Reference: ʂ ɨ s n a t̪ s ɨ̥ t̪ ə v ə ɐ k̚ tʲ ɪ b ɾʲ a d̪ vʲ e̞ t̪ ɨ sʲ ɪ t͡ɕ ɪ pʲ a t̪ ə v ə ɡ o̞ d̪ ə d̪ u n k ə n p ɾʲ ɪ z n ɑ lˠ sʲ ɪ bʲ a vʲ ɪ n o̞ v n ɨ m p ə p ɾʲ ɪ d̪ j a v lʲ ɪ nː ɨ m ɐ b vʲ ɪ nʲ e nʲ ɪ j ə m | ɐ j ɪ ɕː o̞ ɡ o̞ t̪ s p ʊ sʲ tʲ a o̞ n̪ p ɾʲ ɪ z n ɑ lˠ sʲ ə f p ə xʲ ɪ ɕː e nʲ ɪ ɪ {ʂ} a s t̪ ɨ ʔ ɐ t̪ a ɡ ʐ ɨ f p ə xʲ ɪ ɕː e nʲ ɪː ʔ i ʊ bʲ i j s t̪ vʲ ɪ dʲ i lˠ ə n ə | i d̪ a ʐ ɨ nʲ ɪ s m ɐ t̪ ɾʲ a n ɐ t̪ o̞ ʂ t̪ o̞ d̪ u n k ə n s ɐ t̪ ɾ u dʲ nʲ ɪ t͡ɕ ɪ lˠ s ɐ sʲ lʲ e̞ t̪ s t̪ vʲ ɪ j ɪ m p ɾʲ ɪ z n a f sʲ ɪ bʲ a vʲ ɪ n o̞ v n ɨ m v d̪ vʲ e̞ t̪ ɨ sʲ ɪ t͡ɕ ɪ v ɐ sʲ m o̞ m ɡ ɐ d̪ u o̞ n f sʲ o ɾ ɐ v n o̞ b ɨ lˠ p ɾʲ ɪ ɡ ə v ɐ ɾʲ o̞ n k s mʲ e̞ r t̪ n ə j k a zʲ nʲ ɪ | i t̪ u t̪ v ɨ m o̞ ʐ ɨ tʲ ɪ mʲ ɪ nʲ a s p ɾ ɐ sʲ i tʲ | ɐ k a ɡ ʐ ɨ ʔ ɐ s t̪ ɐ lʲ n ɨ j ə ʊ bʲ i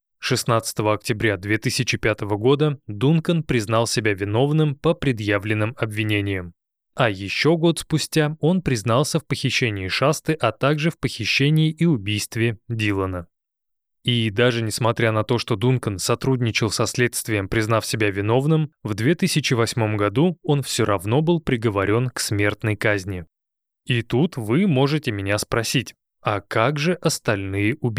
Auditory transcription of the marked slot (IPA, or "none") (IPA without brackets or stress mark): ʂ